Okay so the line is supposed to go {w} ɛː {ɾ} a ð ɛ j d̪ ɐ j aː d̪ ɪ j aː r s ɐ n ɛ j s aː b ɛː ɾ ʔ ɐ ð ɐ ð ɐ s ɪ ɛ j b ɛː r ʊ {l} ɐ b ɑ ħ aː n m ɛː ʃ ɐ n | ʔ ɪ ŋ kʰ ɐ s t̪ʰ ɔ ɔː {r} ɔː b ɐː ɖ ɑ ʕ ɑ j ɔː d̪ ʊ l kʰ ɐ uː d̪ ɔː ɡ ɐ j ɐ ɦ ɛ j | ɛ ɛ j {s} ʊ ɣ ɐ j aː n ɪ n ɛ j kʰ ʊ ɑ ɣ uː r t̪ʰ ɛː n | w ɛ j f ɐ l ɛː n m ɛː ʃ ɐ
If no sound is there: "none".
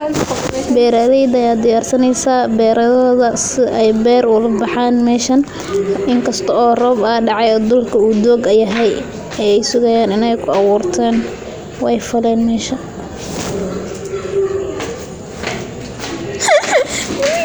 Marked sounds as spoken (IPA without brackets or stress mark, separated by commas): b, ɾ, l, r, s